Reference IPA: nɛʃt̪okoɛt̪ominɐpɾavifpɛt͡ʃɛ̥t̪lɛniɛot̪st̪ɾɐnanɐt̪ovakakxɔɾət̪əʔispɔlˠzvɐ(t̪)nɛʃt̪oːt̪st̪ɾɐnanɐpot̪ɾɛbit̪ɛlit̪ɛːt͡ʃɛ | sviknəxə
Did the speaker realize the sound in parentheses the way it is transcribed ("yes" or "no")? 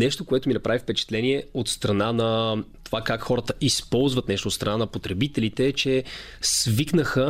yes